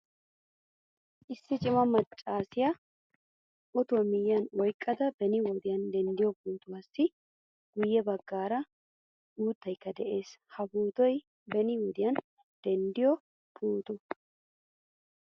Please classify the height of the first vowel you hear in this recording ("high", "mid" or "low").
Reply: high